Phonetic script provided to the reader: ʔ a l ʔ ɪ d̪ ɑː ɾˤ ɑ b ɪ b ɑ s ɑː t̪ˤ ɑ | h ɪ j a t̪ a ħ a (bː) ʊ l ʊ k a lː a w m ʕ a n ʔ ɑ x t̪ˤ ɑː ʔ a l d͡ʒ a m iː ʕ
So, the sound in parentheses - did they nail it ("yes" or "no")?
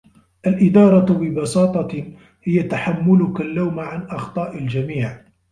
no